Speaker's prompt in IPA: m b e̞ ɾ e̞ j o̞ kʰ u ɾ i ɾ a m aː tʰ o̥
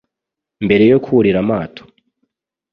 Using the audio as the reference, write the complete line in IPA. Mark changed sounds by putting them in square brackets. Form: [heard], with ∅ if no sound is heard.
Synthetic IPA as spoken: m b e̞ ɾ e̞ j o̞ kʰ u ɾ i ɾ a m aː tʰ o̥